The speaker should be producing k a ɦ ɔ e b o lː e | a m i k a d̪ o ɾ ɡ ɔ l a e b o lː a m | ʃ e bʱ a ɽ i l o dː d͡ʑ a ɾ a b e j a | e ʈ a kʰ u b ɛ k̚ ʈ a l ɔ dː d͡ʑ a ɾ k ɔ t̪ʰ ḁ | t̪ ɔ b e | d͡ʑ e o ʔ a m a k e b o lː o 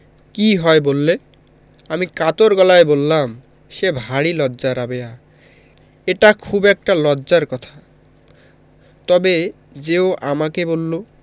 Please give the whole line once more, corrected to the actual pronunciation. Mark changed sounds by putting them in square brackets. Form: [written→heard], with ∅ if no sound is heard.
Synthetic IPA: k [a→i] ɦ ɔ e b o lː e | a m i k a [d̪→t̪] o ɾ ɡ ɔ l a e b o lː a m | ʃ e bʱ a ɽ i l [o→ɔ] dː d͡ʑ a ɾ a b e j a | e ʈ a kʰ u b ɛ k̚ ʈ a l ɔ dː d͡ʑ a ɾ k ɔ t̪ʰ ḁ | t̪ ɔ b e | d͡ʑ e o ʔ a m a k e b o lː o